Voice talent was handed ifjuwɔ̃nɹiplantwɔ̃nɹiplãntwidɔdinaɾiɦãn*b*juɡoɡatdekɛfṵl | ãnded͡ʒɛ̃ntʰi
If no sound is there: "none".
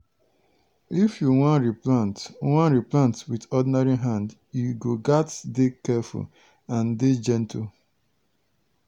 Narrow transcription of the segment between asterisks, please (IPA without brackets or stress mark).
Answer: d